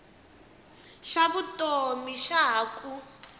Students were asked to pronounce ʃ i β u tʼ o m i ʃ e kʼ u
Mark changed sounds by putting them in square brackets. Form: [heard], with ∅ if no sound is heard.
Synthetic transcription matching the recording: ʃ [a] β u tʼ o m i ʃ [a] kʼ u